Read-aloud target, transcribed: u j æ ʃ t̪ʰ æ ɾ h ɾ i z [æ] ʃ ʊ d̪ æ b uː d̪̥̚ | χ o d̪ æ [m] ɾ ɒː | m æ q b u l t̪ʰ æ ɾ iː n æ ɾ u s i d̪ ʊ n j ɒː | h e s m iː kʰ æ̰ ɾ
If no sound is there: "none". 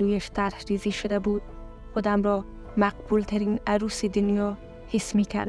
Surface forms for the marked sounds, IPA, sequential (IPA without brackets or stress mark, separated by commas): i, m